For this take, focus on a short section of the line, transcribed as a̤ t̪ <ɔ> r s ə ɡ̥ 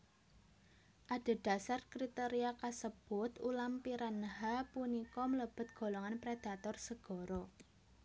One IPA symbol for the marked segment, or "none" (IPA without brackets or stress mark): ɔ